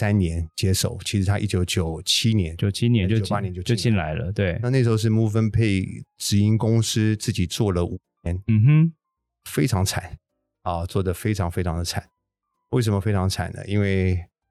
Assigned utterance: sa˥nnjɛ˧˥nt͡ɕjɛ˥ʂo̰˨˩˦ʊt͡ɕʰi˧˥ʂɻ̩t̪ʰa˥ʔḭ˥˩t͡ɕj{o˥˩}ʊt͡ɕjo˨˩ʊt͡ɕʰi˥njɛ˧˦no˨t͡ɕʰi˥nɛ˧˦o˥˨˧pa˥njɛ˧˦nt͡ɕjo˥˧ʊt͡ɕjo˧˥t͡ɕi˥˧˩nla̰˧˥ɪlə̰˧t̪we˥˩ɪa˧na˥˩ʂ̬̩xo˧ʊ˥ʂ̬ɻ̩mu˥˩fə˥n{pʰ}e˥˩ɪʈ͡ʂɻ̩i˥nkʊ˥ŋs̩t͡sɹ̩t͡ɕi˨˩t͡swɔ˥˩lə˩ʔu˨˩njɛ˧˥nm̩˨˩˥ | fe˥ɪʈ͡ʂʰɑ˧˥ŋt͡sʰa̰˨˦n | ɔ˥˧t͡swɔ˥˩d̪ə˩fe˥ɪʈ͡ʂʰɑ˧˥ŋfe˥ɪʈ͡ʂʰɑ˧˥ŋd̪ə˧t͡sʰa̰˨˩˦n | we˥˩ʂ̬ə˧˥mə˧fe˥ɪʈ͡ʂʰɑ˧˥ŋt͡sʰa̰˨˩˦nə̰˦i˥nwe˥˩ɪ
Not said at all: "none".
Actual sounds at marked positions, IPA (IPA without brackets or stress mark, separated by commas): o˧˥, pʰ